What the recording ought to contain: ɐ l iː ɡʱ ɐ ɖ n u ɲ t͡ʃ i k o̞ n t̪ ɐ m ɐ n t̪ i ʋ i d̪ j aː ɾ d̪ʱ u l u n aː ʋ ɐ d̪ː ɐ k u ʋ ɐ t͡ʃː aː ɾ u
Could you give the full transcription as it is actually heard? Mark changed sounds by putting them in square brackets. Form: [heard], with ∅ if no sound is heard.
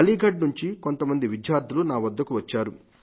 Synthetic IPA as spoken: ɐ l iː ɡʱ ɐ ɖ n u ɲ t͡ʃ i k o̞ n t̪ ɐ m ɐ n [d̪] i ʋ i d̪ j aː ɾ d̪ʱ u l u n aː ʋ ɐ d̪ː ɐ k u ʋ ɐ t͡ʃː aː ɾ u